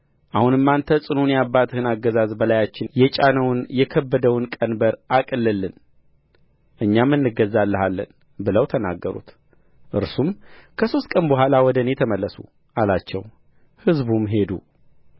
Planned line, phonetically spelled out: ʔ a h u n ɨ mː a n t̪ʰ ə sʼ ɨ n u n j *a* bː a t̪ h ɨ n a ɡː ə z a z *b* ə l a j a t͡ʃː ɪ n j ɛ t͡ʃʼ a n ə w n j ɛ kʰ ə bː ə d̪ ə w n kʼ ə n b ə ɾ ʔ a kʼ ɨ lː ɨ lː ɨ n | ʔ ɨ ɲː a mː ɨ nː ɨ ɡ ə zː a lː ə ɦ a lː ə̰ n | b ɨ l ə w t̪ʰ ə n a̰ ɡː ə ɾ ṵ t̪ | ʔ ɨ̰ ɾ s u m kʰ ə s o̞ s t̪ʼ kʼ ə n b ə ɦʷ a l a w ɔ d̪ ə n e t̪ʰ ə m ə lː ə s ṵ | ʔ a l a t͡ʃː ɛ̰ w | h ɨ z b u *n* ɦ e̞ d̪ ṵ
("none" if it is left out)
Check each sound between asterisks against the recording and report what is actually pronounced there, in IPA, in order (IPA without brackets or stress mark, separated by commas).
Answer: a, b, m